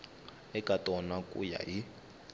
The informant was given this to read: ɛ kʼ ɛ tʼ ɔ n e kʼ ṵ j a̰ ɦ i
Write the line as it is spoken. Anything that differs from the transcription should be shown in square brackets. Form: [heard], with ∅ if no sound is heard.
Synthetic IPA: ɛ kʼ [a] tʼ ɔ n [a] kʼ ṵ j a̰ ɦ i